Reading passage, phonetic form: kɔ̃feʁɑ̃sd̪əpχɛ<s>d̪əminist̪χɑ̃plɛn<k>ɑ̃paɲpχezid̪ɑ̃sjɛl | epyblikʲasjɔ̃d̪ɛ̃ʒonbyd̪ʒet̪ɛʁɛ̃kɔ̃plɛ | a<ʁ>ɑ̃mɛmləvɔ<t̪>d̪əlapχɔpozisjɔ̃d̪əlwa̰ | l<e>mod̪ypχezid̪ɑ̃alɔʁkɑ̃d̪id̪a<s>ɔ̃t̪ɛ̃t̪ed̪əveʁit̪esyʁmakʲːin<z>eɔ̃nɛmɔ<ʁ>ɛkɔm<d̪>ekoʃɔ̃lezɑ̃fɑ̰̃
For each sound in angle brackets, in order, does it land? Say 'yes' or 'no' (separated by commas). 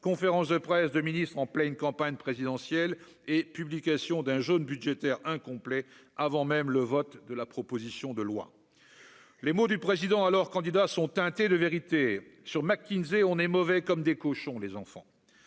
yes, yes, no, yes, yes, yes, yes, no, yes